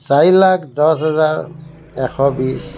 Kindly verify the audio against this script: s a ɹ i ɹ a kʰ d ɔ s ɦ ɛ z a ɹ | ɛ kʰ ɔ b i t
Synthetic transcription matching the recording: s a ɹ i l a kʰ d ɔ s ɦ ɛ z a ɹ | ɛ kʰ ɔ b i s